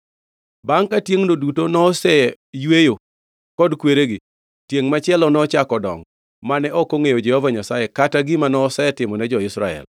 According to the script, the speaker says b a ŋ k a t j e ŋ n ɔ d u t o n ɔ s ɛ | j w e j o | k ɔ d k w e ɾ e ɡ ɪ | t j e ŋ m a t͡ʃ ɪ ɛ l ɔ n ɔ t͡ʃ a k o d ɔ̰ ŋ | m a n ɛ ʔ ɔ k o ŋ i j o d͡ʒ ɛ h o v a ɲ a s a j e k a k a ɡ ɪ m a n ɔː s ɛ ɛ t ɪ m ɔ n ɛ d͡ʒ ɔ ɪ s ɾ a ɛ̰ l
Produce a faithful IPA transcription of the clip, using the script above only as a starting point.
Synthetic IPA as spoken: b a ŋ k a t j e ŋ n o d u t o n ɔ s ɛ | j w e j o | k ɔ d k w e ɾ e ɡ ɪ | t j e ŋ m a t͡ʃ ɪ ɛ l ɔ n ɔ t͡ʃ a k ɔ d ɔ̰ ŋ | m a n ɛ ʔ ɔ k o ŋ e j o d͡ʒ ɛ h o v a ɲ a s a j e k a t a ɡ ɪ m a n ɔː s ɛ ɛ t ɪ m ɔ n ɛ d͡ʒ ɔ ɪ s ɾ a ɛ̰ l